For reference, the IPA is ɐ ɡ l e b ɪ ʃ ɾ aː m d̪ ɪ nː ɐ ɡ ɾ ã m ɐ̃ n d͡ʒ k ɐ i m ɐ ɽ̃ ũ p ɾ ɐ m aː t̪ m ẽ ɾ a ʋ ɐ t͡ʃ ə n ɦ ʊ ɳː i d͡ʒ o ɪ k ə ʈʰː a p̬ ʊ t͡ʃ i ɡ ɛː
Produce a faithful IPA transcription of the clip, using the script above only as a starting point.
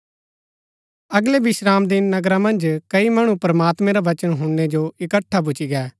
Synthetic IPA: ɐ ɡ l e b ɪ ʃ ɾ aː m d̪ ɪ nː ɐ ɡ ɾ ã m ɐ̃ n d͡ʒ k ɐ i m ɐ ɽ̃ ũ p ɾ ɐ m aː t̪ m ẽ ɾ a ʋ ɐ t͡ʃ ə n ɦ ʊ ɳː e d͡ʒ o ɪ k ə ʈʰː a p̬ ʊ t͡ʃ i ɡ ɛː

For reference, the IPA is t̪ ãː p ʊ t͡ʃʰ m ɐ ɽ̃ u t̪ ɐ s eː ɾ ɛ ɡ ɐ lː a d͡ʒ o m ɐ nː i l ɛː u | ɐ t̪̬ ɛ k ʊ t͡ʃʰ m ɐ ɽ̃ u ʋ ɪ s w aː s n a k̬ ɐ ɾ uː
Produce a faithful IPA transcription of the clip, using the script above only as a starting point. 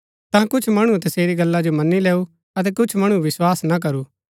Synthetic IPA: t̪ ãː k ʊ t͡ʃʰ m ɐ ɽ̃ u t̪ ɐ s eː ɾ i ɡ ɐ lː a d͡ʒ o m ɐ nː i l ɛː u | ɐ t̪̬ ɛ k ʊ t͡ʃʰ m ɐ ɽ̃ u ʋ ɪ s w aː s n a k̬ ɐ ɾ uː

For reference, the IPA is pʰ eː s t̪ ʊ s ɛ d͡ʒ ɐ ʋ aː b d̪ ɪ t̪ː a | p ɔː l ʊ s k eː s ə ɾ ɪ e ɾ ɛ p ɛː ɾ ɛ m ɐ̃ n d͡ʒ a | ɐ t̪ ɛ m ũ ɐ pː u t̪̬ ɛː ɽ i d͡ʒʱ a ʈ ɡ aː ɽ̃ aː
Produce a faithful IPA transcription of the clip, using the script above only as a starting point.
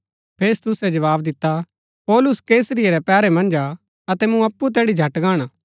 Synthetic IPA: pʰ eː s t̪ ʊ s ɛ d͡ʒ ɐ ʋ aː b d̪ ɪ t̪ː a | p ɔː l ʊ s k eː s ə ɾ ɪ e ɾ ɛ p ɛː ɾ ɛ m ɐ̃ n d͡ʒ a | ɐ t̪ ɛ m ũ ɐ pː u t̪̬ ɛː ɽ i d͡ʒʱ ɐ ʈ ɡ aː ɽ̃ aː

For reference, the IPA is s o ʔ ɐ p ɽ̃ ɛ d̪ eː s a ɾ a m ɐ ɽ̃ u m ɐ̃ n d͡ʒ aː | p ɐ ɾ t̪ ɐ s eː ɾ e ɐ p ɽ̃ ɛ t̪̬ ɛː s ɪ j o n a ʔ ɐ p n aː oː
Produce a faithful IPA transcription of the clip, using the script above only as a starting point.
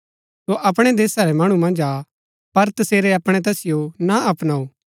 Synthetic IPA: s o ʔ ɐ p ɽ̃ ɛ d̪ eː s a ɾ ɛ m ɐ ɽ̃ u m ɐ̃ n d͡ʒ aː | p ɐ ɾ t̪ ɐ s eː ɾ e ɐ p ɽ̃ ɛ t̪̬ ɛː s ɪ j o n a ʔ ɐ p n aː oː

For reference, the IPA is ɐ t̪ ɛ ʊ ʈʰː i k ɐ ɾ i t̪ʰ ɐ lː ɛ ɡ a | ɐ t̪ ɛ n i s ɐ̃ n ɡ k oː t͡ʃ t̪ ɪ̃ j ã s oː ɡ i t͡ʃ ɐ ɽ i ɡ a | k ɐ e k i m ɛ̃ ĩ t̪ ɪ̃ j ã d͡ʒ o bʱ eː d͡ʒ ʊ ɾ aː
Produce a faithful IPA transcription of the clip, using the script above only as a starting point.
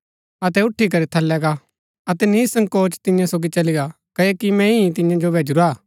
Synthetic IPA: ɐ t̪ ɛ ʊ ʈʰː i k ɐ ɾ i t̪ʰ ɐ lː ɛ ɡ a | ɐ t̪ ɛ n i s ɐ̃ ŋ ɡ k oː t͡ʃ t̪ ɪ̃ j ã s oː ɡ i t͡ʃ ɐ l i ɡ a | k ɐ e k i m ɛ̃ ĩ t̪ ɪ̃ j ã d͡ʒ o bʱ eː d͡ʒ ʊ ɾ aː

